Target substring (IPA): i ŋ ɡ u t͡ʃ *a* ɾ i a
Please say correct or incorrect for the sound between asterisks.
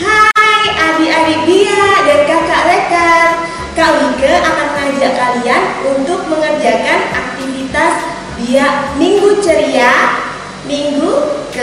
incorrect